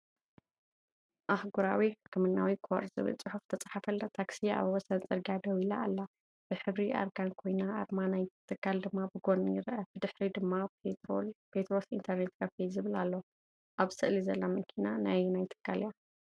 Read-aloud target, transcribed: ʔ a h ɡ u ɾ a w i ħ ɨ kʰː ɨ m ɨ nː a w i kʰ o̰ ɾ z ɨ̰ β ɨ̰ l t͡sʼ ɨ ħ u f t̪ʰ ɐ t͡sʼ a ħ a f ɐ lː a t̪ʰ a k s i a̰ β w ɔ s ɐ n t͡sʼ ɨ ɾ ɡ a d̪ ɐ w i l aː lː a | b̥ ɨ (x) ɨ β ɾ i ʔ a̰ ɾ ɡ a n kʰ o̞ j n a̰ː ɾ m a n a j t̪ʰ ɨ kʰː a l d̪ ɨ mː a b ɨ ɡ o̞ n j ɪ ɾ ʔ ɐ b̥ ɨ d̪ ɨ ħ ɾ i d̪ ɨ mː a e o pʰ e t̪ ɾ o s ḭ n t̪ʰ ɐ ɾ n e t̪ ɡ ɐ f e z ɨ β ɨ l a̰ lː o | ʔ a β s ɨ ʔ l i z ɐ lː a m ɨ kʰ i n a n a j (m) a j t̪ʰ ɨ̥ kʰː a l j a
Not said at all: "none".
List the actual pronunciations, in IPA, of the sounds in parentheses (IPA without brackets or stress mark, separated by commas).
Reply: ħ, n